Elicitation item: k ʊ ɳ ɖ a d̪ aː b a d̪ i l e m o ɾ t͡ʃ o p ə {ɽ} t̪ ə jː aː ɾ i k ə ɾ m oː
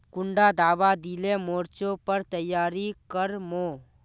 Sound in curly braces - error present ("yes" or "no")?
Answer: yes